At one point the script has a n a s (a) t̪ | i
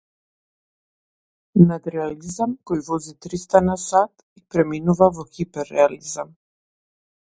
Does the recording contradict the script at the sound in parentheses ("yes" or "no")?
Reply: no